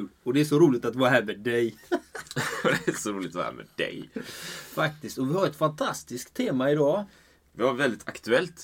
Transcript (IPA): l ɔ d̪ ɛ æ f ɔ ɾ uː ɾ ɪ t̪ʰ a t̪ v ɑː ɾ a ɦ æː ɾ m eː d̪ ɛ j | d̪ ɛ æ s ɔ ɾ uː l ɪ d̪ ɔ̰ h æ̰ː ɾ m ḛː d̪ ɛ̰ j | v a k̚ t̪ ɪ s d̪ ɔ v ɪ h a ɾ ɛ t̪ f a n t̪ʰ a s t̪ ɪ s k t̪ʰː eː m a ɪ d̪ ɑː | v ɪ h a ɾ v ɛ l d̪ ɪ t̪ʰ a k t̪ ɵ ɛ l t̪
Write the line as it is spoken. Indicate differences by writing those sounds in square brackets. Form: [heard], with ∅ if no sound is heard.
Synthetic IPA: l ɔ d̪ ɛ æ [ʂ] ɔ ɾ uː [l] ɪ [t̪] a t̪ v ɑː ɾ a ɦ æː ɾ m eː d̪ ɛ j | d̪ ɛ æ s ɔ ɾ uː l ɪ [t̪] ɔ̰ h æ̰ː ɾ m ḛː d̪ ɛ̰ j | [f] a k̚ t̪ ɪ s [t̪] ɔ v ɪ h a ɾ ɛ t̪ f a n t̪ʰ a s t̪ ɪ s k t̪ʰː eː m a ɪ d̪ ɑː | v ɪ h a ɾ v ɛ l d̪ ɪ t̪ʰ a k t̪ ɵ ɛ l t̪